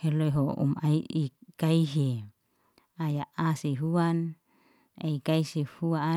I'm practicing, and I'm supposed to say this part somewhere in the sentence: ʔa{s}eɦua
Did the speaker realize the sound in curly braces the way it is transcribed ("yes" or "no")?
yes